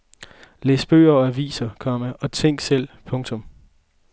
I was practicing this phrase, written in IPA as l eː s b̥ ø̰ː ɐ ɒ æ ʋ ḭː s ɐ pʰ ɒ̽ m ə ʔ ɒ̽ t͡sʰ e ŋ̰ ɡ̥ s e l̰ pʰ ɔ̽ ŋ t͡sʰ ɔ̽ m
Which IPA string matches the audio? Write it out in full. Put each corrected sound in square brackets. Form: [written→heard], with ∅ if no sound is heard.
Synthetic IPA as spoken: l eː s b̥ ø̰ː ɐ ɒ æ ʋ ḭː s ɐ [pʰ→kʰ] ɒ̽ m ə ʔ ɒ̽ t͡sʰ e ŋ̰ ɡ̥ s e l̰ pʰ ɔ̽ ŋ t͡sʰ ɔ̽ m